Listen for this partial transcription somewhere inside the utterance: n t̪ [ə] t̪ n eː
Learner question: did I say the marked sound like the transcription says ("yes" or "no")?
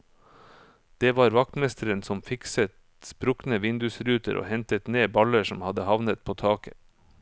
yes